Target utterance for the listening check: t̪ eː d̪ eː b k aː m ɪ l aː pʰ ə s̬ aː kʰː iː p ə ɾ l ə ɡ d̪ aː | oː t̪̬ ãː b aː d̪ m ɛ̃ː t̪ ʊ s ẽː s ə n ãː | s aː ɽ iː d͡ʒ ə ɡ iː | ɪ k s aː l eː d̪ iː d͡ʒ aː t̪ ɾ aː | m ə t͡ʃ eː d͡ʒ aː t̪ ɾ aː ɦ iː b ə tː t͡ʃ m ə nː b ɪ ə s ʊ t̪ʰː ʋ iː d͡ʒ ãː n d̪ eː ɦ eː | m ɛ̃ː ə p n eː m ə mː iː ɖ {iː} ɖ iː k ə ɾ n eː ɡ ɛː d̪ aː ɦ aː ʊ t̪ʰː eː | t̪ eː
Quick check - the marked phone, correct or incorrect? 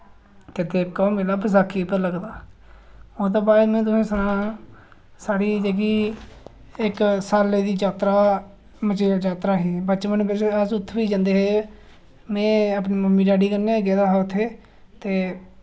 incorrect